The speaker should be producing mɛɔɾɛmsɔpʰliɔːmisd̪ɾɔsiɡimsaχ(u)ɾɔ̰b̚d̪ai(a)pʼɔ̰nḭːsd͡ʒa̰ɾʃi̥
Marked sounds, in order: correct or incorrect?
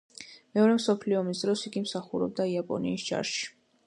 correct, correct

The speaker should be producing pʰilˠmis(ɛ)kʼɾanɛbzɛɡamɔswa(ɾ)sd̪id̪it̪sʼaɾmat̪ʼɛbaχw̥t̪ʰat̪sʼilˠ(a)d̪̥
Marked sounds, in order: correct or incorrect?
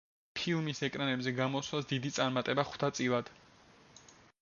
correct, incorrect, correct

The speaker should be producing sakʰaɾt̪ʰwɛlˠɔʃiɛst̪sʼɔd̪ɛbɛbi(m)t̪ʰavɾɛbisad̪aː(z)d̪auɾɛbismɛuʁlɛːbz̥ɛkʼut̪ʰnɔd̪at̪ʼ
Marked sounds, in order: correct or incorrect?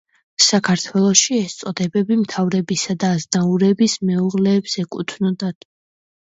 correct, correct

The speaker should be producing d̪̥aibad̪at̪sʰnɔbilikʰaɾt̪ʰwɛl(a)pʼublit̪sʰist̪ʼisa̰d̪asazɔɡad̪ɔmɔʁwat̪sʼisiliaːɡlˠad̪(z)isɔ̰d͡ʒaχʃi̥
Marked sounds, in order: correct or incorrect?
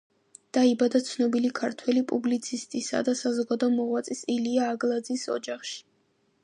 incorrect, correct

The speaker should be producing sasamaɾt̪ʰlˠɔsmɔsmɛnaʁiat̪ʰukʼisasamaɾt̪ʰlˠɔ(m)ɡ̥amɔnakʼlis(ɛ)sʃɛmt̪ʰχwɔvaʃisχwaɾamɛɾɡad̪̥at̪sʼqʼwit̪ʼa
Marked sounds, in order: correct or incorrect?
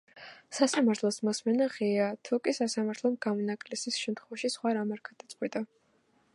correct, incorrect

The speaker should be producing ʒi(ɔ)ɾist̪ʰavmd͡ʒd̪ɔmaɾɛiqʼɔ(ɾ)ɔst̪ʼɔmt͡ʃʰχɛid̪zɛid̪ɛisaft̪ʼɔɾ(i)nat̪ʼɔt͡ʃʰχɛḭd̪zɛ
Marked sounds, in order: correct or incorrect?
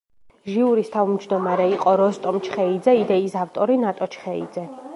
incorrect, correct, correct

